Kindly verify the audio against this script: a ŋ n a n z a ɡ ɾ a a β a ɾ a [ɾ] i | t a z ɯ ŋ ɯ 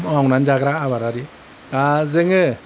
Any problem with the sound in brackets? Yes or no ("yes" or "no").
no